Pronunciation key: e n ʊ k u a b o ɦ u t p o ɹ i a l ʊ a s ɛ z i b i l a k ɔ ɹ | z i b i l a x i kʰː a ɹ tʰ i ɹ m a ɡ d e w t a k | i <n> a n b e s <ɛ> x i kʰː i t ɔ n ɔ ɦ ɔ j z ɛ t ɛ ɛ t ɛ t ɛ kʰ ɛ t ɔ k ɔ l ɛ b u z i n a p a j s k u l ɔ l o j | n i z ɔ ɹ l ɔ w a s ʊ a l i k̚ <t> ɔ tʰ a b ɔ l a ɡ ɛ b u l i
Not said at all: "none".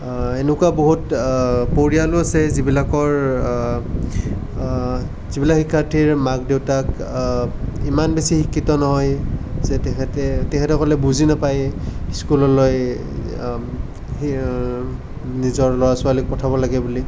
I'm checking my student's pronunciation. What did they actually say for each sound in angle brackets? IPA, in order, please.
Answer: m, i, p

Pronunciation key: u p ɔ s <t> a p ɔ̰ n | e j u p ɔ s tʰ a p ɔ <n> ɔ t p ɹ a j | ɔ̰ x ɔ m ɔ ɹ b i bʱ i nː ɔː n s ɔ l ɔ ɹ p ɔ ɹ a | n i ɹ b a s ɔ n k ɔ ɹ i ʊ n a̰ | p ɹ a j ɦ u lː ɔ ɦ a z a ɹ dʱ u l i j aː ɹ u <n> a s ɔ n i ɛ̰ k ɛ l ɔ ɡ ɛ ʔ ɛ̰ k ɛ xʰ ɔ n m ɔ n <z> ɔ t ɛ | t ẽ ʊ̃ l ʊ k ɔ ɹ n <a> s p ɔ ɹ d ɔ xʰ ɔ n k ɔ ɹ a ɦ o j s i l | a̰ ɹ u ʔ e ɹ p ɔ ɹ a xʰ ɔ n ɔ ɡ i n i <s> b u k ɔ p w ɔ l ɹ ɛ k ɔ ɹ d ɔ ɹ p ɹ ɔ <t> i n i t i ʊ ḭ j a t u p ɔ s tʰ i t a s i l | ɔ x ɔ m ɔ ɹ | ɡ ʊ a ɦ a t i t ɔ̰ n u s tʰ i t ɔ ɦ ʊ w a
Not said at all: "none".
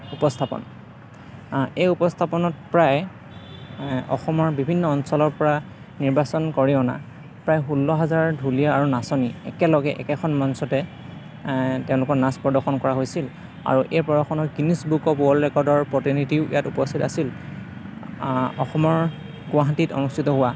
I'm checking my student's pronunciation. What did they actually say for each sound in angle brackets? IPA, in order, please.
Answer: tʰ, n, n, s, a, s, t

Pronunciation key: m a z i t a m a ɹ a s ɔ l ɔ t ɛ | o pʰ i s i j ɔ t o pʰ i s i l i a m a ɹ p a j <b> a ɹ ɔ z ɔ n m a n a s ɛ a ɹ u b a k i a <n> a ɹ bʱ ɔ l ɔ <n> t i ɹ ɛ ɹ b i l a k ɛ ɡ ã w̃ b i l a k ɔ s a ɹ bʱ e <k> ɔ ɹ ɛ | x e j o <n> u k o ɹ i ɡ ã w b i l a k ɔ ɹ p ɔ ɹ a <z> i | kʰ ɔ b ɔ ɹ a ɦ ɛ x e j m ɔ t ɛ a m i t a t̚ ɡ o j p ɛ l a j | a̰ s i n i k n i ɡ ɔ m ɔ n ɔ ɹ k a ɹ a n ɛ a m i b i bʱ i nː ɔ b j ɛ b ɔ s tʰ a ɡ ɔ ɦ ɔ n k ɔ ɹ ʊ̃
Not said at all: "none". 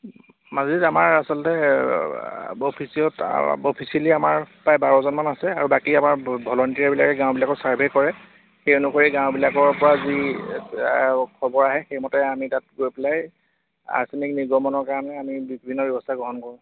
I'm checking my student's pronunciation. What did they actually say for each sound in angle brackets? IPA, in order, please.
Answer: b, m, n, k, n, z

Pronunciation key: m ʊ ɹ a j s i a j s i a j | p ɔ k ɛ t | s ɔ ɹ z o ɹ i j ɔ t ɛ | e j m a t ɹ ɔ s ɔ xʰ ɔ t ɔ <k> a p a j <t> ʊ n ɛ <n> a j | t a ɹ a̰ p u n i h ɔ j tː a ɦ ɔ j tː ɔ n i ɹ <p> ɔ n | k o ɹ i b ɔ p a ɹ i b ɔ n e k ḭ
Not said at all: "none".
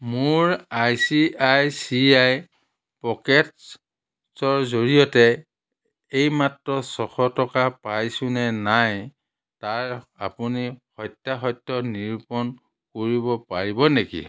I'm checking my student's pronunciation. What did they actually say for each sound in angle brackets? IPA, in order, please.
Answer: k, s, n, p

